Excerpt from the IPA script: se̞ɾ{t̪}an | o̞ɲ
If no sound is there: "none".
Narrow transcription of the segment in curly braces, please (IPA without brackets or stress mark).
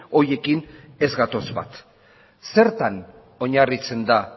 t̪